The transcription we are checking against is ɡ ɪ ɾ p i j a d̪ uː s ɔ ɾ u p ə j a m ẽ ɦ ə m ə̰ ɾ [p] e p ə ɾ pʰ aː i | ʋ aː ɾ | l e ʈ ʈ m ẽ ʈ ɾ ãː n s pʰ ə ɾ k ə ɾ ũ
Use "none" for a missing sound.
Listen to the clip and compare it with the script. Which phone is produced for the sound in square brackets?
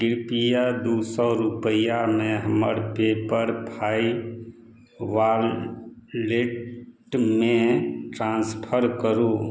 p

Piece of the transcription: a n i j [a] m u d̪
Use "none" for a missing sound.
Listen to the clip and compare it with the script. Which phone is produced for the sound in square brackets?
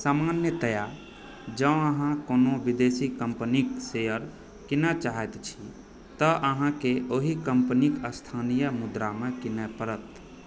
ə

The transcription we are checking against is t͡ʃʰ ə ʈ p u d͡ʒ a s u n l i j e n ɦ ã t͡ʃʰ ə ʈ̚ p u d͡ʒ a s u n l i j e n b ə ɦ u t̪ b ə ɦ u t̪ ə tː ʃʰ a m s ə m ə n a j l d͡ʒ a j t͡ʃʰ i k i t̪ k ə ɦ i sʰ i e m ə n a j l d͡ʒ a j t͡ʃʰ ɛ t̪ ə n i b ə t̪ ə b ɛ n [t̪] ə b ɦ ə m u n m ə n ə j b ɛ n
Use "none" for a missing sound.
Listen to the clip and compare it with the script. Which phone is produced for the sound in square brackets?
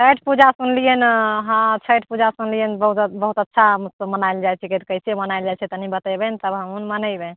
t̪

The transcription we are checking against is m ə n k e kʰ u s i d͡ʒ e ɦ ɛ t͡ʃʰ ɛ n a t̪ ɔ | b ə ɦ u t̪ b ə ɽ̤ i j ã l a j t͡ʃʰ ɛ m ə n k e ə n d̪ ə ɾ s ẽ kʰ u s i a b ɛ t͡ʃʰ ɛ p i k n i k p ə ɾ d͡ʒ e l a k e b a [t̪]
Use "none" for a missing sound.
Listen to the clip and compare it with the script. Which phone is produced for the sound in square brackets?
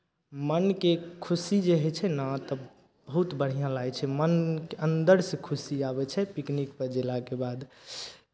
d̪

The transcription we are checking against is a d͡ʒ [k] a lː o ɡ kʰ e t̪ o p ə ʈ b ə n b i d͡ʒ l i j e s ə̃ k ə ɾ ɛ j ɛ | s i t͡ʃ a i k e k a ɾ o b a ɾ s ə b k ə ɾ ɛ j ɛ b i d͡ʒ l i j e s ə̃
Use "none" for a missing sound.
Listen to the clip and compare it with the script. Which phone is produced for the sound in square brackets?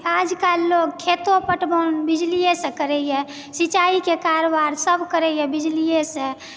k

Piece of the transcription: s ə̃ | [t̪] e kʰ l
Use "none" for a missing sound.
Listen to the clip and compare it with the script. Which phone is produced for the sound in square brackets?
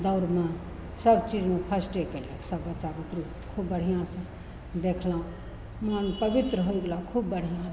d̪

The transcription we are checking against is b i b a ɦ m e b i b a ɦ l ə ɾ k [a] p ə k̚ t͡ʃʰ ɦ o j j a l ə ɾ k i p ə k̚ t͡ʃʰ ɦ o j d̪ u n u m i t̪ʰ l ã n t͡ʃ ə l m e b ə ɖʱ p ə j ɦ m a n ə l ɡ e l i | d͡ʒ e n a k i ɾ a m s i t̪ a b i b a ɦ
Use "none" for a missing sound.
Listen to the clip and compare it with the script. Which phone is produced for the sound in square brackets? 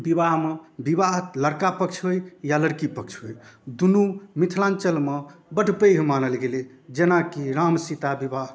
a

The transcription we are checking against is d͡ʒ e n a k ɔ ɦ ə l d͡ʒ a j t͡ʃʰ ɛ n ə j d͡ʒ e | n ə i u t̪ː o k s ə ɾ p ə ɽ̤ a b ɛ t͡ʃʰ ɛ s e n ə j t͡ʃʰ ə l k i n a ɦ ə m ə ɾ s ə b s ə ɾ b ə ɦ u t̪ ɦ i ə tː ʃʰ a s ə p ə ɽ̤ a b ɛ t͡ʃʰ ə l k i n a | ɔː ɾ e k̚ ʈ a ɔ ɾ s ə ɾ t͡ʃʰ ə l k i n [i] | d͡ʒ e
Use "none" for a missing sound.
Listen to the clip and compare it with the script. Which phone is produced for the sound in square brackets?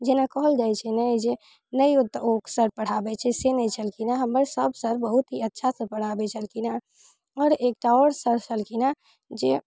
a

